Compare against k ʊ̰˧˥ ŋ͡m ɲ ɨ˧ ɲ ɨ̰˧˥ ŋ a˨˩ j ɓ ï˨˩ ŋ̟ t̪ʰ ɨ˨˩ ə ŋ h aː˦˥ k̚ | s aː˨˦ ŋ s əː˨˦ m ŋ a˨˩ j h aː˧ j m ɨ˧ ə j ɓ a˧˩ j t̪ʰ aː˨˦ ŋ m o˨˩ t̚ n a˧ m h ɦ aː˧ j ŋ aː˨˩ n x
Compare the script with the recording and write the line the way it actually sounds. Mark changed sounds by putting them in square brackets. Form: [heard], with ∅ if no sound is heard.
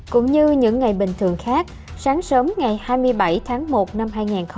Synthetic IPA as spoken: k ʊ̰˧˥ ŋ͡m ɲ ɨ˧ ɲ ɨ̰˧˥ [ŋː] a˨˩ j ɓ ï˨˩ ŋ̟ t̪ʰ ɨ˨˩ ə ŋ [x] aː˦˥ k̚ | s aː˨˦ ŋ s əː˨˦ m ŋ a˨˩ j h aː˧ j m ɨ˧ ə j ɓ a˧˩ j t̪ʰ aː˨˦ ŋ m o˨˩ t̚ n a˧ m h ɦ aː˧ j ŋ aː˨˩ n x